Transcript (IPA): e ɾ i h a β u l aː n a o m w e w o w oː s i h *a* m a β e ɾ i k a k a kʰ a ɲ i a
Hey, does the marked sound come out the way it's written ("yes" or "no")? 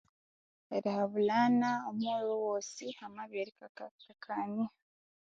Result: yes